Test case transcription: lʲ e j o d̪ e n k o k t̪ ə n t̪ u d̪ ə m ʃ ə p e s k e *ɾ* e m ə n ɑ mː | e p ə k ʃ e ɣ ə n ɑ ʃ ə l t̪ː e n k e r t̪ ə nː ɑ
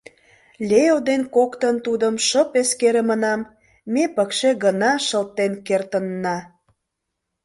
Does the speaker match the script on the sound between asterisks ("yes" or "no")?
yes